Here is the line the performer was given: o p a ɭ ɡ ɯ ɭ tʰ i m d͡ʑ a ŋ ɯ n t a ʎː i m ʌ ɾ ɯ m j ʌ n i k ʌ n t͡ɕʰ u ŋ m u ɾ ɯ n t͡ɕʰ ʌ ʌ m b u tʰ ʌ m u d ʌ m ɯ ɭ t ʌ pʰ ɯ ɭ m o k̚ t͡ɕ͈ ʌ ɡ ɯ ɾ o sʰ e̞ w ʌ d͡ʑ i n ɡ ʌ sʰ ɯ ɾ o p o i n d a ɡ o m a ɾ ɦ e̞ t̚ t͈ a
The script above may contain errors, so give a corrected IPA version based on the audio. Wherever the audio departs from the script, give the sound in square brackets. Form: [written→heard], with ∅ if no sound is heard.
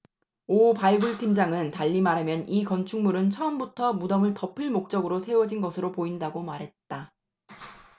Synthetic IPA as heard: o p a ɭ ɡ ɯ ɭ tʰ i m d͡ʑ a ŋ ɯ n t a ʎː i m [ʌ→a] ɾ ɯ m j ʌ n i k ʌ n t͡ɕʰ u ŋ m u ɾ ɯ n t͡ɕʰ ʌ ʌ m b u tʰ ʌ m u d ʌ m ɯ ɭ t ʌ pʰ ɯ ɭ m o k̚ t͡ɕ͈ ʌ ɡ ɯ ɾ o sʰ e̞ w ʌ d͡ʑ i n ɡ ʌ sʰ ɯ ɾ o p o i n d a ɡ o m a ɾ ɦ e̞ t̚ t͈ a